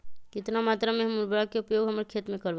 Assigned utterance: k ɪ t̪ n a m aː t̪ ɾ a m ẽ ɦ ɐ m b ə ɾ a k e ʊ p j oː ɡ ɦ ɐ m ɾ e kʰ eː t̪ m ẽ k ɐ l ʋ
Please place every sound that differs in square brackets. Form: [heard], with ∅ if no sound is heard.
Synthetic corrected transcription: k ɪ t̪ n a m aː t̪ ɾ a m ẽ ɦ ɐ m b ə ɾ a k e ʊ p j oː ɡ ɦ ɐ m ɾ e kʰ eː t̪ m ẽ k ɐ [ɾ] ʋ